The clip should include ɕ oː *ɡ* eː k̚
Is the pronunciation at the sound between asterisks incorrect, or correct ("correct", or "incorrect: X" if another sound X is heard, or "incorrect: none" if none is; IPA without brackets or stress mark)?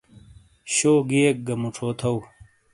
correct